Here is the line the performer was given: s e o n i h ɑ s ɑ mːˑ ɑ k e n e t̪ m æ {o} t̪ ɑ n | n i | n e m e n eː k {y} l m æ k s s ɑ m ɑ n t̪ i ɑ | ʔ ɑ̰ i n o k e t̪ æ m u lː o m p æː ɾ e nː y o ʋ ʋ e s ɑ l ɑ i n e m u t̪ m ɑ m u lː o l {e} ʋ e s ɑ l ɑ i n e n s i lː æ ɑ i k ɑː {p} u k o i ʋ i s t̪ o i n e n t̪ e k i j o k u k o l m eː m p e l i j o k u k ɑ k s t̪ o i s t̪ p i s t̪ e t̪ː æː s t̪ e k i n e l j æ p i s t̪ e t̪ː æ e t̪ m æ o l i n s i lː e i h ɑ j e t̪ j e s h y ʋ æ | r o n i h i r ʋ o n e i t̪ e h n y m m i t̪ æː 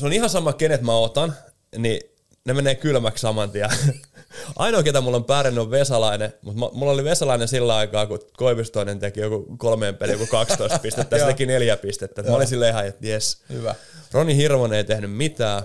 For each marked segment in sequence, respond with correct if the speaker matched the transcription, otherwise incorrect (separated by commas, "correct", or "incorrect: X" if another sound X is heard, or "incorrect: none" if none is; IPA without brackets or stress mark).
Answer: correct, correct, incorrect: i, incorrect: k